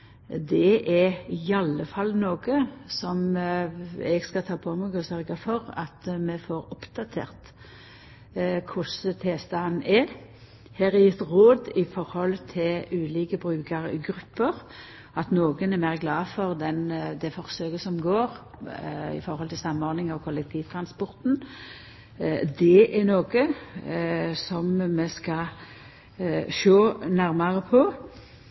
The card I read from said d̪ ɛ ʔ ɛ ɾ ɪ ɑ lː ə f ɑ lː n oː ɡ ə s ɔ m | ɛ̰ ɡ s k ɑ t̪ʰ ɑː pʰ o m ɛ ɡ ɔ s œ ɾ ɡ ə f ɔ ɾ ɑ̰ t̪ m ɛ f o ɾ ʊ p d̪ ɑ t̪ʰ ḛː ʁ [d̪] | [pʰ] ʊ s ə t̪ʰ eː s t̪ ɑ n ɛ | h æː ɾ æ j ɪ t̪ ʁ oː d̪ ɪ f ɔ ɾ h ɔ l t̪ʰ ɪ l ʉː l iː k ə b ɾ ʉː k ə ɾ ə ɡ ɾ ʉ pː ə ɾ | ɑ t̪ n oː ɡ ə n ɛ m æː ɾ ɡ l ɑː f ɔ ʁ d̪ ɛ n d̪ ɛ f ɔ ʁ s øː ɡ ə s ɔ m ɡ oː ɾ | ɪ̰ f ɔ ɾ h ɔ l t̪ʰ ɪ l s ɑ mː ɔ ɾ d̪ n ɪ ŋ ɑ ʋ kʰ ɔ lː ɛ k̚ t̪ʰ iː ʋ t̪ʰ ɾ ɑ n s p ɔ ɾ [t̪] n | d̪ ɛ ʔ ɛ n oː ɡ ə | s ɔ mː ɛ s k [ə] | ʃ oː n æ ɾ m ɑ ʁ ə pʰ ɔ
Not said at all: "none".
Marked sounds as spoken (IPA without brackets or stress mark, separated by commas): t̪, kʰ, t̪, ɑ